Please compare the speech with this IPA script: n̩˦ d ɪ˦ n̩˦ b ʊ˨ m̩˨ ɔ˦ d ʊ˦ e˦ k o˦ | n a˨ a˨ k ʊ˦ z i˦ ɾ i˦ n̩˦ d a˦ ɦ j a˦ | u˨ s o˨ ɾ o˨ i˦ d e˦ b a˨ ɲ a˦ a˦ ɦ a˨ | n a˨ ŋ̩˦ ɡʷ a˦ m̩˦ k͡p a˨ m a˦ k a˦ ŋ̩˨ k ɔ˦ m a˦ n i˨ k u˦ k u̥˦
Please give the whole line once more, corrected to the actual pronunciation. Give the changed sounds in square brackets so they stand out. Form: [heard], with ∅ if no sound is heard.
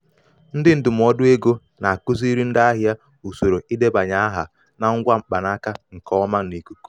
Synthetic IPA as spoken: n̩˦ d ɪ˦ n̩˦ [d] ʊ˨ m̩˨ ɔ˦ d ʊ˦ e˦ [ɡ] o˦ | n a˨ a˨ k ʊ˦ z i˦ ɾ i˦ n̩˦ d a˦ ɦ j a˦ | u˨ s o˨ ɾ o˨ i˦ d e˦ b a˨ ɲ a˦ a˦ ɦ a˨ | n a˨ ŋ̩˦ ɡʷ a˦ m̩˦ k͡p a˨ [n] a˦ k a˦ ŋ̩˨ k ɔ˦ m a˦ n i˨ k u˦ k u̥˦